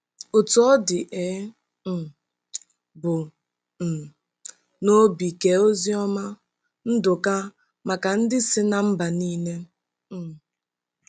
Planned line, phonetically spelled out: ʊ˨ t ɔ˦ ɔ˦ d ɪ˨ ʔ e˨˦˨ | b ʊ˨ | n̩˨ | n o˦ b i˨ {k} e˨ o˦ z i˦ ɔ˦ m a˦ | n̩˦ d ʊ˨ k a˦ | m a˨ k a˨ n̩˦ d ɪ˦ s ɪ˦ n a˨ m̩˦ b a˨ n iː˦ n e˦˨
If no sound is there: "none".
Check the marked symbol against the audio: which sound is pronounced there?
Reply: k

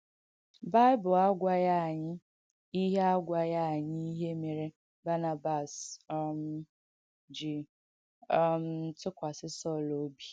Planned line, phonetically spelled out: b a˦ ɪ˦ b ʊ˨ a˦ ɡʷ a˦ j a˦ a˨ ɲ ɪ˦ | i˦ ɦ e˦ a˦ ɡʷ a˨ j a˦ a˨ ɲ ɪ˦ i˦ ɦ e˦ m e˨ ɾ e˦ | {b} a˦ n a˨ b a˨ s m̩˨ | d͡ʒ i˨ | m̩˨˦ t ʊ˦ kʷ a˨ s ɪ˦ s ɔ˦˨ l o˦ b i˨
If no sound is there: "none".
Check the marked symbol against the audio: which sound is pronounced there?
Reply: b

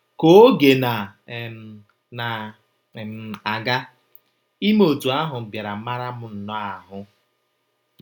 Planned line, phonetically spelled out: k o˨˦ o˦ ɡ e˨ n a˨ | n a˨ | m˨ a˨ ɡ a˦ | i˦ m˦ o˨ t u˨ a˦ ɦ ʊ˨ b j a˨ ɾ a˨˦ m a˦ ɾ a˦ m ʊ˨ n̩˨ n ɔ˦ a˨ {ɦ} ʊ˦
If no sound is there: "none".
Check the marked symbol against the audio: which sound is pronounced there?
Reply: ɦ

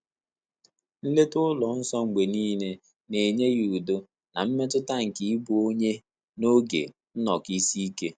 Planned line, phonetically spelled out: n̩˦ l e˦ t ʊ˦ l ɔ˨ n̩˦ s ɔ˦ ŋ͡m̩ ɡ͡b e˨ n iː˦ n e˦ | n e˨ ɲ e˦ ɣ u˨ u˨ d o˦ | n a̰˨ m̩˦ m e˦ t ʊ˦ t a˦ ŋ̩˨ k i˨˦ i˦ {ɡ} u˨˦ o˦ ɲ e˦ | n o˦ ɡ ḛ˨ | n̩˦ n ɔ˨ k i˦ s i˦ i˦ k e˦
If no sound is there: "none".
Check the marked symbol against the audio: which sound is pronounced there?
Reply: b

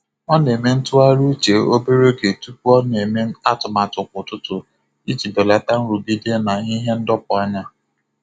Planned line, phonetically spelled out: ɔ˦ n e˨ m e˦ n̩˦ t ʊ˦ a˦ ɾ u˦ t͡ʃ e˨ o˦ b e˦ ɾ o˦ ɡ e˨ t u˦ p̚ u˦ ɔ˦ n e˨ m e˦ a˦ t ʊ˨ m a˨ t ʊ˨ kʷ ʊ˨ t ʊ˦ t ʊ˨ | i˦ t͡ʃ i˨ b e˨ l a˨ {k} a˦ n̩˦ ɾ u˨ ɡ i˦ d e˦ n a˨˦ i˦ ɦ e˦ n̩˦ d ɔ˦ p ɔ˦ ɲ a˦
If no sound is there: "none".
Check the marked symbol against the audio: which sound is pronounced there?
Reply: t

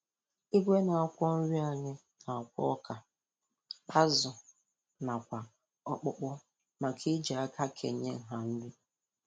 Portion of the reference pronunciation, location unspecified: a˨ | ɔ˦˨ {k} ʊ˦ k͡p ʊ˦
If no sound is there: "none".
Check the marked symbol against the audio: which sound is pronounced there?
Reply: k͡p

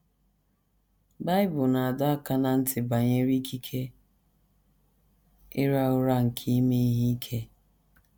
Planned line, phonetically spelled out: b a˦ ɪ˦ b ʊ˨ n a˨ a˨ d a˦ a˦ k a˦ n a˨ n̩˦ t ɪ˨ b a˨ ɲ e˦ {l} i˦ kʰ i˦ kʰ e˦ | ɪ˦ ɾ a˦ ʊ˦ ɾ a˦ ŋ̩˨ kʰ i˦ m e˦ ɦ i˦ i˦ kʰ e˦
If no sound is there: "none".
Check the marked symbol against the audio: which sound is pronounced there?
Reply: ɾ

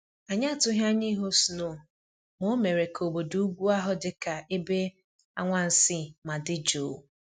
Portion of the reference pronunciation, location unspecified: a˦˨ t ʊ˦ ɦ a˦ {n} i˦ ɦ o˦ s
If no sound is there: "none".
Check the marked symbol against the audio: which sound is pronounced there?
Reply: ɲ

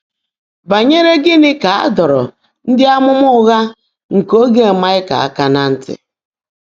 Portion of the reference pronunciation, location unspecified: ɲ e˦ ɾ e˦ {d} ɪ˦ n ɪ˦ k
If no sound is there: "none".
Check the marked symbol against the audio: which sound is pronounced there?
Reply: ɡ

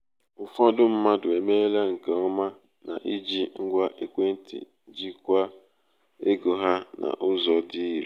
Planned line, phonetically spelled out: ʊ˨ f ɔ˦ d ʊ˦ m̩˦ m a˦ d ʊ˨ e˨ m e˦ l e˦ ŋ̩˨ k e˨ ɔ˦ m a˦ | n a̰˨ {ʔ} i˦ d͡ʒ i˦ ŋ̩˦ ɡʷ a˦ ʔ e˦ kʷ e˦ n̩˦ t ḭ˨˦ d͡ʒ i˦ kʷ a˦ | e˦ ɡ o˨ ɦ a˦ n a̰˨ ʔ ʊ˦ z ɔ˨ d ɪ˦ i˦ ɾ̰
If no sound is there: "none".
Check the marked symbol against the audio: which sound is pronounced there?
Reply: ʔ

